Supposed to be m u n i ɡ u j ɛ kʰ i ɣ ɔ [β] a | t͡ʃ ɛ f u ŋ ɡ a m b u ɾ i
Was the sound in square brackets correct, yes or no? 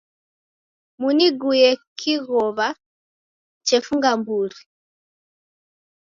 yes